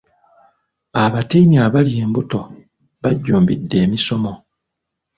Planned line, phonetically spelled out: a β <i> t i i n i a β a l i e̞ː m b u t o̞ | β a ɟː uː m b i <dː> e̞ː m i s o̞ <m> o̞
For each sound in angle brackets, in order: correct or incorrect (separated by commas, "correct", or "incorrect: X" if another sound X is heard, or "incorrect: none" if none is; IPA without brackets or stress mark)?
incorrect: a, correct, correct